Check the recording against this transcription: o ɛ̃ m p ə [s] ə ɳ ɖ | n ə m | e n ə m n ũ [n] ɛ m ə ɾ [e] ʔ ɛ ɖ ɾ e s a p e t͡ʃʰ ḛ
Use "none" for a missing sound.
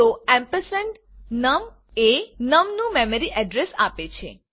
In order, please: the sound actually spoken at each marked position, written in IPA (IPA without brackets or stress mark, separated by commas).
s, m, i